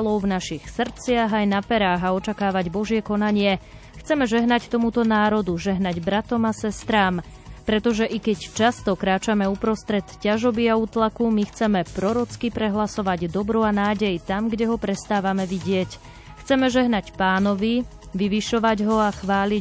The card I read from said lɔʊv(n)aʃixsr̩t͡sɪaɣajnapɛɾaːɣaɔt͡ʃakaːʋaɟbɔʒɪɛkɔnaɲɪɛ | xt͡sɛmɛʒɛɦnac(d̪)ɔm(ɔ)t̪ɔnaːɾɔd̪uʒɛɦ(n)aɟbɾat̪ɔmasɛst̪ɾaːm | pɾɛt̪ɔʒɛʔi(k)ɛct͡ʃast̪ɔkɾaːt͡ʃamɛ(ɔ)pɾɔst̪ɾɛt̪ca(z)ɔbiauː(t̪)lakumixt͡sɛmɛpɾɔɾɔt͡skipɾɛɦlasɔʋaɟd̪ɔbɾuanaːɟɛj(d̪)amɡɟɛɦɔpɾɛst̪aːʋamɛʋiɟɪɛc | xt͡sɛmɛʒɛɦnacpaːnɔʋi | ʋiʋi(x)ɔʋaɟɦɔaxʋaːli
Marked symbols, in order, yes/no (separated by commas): yes, no, no, yes, yes, no, no, yes, no, no